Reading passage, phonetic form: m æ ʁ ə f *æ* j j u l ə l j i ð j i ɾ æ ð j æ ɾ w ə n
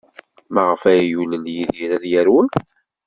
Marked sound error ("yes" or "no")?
no